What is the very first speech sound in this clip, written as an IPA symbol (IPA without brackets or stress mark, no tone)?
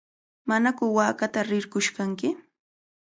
m